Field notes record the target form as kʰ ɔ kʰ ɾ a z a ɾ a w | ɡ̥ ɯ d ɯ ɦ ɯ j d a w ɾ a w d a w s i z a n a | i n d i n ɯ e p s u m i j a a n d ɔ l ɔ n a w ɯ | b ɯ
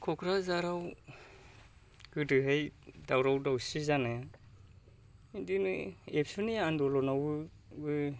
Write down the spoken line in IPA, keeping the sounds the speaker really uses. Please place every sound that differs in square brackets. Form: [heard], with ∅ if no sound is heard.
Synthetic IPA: kʰ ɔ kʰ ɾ a z a ɾ a w | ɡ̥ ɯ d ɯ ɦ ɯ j d a w ɾ a w d a w s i z a n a | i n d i n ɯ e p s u [n] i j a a n d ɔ l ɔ n a w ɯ | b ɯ